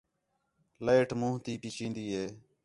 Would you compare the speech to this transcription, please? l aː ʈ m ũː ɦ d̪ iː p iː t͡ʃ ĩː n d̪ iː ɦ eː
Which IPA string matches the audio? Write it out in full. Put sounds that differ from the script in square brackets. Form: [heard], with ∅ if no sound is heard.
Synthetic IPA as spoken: l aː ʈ m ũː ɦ [t̪] iː p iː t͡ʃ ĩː n d̪ iː ɦ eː